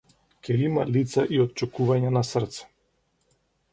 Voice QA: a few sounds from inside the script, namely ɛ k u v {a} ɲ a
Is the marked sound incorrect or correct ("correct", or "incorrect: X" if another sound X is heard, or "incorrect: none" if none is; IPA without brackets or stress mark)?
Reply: correct